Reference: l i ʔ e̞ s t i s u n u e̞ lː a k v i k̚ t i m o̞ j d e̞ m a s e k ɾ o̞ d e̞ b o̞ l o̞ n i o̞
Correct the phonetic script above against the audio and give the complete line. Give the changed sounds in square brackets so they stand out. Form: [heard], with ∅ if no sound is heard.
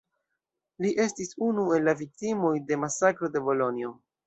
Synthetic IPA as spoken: l i ʔ e̞ s t i s u n u e̞ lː a [∅] v i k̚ t i m o̞ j d e̞ m a s [a] k ɾ o̞ d e̞ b o̞ l o̞ n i o̞